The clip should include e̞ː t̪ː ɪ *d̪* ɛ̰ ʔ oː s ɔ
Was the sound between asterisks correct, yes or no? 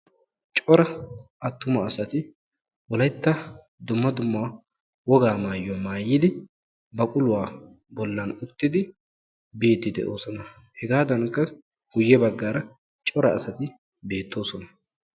yes